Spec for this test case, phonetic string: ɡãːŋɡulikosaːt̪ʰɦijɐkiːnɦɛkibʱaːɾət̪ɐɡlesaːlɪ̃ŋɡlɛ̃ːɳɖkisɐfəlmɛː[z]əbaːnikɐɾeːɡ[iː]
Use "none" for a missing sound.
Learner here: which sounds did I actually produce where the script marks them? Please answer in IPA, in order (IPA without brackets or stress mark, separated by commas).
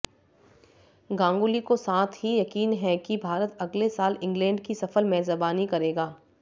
z, aː